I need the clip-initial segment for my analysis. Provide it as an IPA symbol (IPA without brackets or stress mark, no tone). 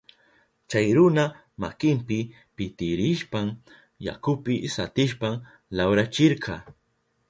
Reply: t͡ʃ